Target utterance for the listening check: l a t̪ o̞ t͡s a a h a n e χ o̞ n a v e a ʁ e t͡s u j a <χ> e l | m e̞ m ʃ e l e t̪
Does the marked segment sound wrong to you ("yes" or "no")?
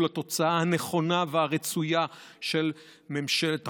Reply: yes